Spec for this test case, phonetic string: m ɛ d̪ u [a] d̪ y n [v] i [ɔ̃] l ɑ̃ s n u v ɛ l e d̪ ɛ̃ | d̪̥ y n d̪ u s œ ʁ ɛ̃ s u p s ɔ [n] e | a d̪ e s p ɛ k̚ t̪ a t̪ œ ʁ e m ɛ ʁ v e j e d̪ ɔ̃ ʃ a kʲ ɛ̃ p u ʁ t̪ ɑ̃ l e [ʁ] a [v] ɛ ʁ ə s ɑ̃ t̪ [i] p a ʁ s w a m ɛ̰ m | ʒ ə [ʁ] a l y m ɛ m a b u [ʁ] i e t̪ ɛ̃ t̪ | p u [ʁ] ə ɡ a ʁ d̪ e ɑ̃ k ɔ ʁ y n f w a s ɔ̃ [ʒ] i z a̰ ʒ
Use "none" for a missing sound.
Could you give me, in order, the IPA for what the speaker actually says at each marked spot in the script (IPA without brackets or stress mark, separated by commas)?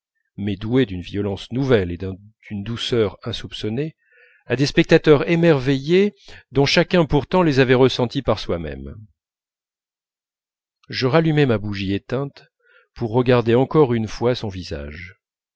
e, v, ɔ, n, z, v, i, ʁ, ʒ, ʁː, v